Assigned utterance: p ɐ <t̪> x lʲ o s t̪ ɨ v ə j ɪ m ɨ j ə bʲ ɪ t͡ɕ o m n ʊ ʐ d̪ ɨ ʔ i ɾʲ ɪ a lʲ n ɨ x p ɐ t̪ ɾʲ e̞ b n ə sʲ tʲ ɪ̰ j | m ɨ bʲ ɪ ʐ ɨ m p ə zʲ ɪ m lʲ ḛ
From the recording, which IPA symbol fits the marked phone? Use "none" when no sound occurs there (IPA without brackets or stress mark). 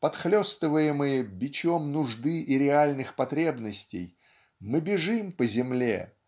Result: t̪